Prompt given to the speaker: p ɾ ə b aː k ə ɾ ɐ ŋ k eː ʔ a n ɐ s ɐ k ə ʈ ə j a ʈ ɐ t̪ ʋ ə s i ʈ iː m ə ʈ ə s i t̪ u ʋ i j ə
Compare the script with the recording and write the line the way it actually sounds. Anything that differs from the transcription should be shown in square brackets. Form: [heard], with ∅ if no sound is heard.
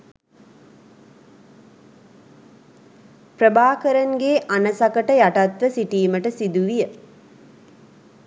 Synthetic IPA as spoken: p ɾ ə b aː k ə ɾ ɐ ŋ [ɡ] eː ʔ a n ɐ s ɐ k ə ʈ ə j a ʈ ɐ t̪ ʋ ə s i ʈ iː m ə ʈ ə s i [d̪] u ʋ i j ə